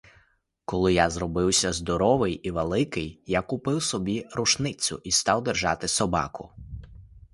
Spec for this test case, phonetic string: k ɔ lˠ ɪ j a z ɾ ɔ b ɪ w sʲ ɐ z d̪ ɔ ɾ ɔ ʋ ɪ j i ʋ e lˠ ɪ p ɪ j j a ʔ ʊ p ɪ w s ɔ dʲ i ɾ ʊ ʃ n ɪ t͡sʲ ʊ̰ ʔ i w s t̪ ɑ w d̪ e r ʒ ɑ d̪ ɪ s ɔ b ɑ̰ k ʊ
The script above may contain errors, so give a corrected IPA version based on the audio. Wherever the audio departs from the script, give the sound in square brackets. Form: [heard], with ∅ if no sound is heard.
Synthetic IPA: k ɔ lˠ ɪ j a z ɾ ɔ b ɪ w sʲ ɐ z d̪ ɔ ɾ ɔ ʋ ɪ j i ʋ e lˠ ɪ [k] ɪ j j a [k] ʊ p ɪ w s ɔ [bʲ] i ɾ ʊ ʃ n ɪ t͡sʲ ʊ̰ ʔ i [∅] s t̪ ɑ w d̪ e r ʒ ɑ [t̪] ɪ s ɔ b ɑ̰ k ʊ